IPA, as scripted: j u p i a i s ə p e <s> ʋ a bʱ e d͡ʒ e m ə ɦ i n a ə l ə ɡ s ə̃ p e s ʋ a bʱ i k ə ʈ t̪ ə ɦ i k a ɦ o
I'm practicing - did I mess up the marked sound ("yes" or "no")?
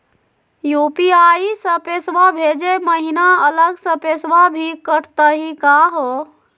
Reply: no